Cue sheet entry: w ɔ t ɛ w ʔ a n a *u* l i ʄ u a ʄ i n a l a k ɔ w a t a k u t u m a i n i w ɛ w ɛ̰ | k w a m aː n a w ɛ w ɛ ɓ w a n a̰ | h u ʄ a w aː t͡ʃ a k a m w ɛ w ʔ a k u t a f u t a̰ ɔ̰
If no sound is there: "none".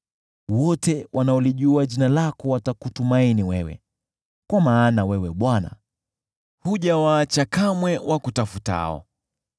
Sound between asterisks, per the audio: ɔ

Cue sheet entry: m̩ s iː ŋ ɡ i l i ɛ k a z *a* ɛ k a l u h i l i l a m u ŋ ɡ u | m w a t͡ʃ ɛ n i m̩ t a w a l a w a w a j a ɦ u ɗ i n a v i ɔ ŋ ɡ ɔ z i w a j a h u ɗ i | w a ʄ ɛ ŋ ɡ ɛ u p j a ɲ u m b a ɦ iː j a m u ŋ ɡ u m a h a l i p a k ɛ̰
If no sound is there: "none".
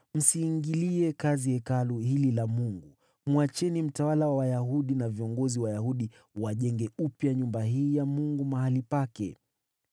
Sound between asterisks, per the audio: i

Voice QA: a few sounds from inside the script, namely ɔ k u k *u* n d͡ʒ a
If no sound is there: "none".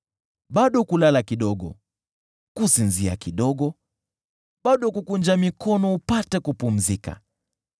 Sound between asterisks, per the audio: u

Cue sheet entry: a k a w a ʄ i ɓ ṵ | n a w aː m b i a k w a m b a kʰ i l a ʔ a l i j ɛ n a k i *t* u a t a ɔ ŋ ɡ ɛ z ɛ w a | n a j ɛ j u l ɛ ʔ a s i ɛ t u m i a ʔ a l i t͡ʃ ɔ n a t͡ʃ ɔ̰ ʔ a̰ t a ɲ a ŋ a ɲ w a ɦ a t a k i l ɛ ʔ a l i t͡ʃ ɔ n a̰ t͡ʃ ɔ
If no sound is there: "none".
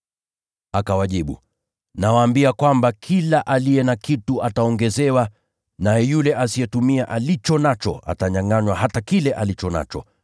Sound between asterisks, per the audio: t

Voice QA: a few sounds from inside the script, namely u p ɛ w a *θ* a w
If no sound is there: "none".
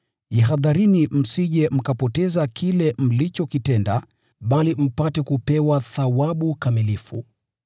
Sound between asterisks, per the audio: θ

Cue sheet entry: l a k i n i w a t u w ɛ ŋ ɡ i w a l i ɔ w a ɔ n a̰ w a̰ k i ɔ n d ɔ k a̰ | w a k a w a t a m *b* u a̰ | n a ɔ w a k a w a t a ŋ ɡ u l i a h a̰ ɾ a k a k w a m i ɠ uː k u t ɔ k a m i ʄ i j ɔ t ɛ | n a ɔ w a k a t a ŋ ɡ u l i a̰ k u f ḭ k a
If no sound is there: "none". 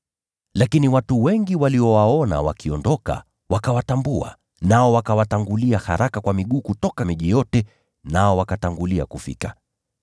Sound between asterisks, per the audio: b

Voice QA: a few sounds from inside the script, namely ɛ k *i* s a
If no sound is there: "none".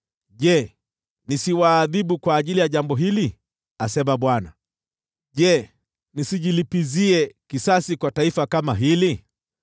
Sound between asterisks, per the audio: i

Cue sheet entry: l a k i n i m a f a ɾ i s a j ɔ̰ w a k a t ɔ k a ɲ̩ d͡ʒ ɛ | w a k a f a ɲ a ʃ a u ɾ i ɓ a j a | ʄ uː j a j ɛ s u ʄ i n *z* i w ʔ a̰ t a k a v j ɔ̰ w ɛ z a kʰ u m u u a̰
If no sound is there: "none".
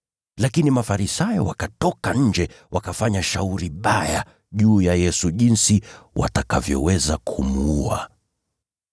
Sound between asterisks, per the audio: s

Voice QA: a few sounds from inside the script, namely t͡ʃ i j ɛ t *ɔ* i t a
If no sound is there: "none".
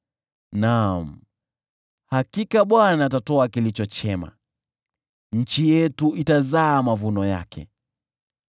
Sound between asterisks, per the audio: u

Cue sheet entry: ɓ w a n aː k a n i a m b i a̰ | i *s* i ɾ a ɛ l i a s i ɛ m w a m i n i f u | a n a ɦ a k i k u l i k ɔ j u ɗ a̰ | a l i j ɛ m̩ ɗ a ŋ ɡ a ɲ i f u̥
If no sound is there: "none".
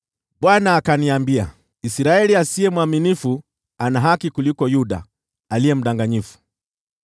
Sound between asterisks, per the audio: s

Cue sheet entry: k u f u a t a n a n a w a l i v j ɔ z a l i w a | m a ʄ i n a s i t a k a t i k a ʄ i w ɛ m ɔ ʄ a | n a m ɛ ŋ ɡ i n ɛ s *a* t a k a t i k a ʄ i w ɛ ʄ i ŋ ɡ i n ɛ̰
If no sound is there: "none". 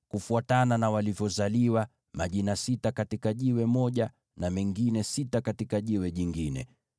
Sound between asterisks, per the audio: i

